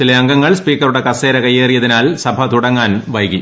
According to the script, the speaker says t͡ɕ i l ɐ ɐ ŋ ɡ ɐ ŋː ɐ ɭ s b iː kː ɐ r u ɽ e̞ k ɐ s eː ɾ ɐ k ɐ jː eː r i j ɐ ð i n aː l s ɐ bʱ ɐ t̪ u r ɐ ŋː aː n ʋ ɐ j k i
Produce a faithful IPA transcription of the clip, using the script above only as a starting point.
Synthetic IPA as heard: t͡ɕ i l ɐ ɐ ŋ ɡ ɐ ŋː ɐ ɭ s p iː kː ɐ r u ɽ e̞ k ɐ s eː ɾ ɐ k ɐ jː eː r i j ɐ ð i n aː l s ɐ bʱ ɐ t̪ u ɽ ɐ ŋː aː n ʋ ɐ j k i